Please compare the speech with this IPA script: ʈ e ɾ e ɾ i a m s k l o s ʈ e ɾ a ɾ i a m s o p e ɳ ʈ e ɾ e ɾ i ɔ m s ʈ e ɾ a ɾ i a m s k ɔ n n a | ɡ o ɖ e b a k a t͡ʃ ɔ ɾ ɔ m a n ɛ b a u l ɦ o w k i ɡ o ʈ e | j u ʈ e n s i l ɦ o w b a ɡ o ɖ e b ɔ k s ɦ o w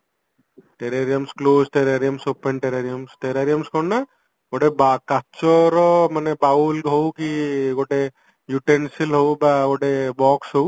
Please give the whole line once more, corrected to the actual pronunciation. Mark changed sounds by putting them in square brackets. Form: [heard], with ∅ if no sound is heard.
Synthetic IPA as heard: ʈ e ɾ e ɾ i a m s k l o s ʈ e ɾ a ɾ i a m s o p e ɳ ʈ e ɾ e ɾ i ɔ m s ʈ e ɾ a ɾ i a m s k ɔ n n a | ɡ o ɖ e b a k a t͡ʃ ɔ ɾ ɔ m a n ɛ b a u l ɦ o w k i ɡ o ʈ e | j u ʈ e n s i l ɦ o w b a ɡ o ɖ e b ɔ k s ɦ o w

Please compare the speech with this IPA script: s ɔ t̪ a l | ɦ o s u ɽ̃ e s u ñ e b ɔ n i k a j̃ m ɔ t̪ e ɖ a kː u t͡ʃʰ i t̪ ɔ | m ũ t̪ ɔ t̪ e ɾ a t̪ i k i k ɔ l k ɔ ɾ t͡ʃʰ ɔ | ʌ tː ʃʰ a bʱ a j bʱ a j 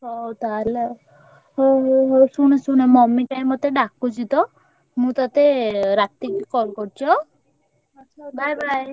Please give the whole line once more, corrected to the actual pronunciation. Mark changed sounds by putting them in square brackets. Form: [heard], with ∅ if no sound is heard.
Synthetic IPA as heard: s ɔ t̪ a l | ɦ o s u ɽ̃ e s u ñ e [m] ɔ [m] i k a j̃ m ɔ t̪ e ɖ a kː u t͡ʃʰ i t̪ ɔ | m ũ t̪ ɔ t̪ e ɾ a t̪ i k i k ɔ l k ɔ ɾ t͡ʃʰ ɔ | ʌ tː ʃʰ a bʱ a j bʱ a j

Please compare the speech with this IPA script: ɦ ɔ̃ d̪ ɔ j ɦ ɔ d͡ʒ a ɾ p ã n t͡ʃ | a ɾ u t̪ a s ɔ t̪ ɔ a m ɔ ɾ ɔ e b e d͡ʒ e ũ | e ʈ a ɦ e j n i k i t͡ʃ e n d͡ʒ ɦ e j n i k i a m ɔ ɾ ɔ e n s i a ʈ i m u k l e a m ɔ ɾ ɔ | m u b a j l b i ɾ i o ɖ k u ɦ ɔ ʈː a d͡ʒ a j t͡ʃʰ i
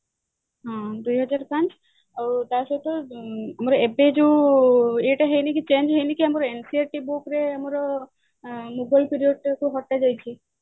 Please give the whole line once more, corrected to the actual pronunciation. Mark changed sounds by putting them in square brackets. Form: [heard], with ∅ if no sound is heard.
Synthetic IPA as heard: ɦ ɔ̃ d̪ [u] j ɦ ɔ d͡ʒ a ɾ p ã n t͡ʃ | a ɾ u t̪ a s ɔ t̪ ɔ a m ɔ ɾ ɔ e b e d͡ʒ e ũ | e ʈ a ɦ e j n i k i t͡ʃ e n d͡ʒ ɦ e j n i k i a m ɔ ɾ ɔ e n s i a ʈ i [b] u k [ɾ] e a m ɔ ɾ ɔ | m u b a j l [p] i ɾ i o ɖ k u ɦ ɔ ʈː a d͡ʒ a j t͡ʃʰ i

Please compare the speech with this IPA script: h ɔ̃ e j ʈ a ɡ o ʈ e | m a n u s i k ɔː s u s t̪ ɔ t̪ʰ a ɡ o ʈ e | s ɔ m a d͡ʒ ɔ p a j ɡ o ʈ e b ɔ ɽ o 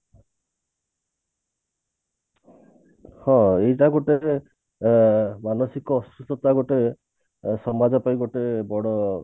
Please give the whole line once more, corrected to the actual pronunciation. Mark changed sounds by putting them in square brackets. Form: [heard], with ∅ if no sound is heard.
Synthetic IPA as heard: h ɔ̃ e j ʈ a ɡ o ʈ e | m a n [ɔ] s i k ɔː s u s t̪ ɔ [t̪] a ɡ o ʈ e | s ɔ m a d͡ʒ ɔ p a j ɡ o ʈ e b ɔ ɽ [ɔ]

